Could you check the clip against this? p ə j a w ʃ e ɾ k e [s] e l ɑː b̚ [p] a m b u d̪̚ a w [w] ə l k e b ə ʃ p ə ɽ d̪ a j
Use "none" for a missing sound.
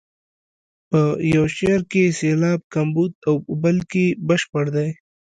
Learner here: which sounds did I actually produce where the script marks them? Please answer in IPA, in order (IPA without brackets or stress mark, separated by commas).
s, k, b